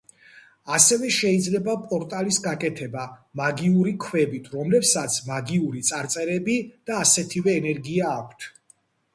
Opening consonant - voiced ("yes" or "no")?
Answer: no